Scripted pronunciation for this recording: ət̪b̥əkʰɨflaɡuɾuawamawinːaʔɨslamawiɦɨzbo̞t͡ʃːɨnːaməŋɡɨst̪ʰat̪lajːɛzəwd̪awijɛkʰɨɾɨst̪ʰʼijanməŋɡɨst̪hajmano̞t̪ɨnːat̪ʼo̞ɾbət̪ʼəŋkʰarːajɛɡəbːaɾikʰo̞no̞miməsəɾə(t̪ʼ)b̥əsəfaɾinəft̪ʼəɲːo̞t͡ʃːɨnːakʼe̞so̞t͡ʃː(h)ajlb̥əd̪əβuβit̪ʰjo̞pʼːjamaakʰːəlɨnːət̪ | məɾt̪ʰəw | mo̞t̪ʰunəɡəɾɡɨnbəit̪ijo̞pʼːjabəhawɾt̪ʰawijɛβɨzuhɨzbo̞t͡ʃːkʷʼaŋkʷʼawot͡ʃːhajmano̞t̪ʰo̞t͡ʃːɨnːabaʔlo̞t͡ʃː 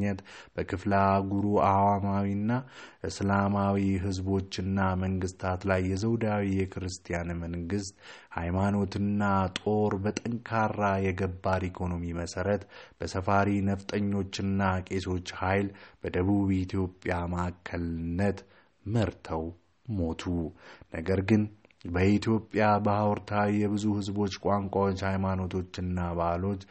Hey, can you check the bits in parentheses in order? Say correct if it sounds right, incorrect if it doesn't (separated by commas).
incorrect, correct